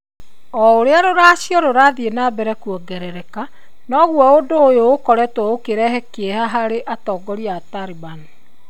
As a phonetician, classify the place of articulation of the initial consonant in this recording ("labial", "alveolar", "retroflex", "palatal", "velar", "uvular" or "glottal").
alveolar